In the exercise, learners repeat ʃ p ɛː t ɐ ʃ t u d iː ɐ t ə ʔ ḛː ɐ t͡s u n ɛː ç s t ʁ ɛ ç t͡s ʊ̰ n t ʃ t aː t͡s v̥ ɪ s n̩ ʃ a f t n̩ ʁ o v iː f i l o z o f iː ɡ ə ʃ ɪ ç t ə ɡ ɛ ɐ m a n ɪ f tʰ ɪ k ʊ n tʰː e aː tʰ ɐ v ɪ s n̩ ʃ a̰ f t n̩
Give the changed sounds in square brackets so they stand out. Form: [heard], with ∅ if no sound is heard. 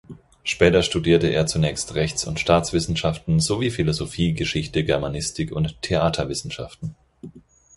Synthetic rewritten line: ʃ p ɛː t ɐ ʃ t u d iː ɐ t ə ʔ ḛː ɐ t͡s u n ɛː ç s t ʁ ɛ ç t͡s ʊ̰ n t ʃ t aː t͡s v̥ ɪ s n̩ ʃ a f t n̩ [z] o v iː f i l o z o f iː ɡ ə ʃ ɪ ç t ə ɡ ɛ ɐ m a n ɪ [s] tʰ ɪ k ʊ n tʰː e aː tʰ ɐ v ɪ s n̩ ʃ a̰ f t n̩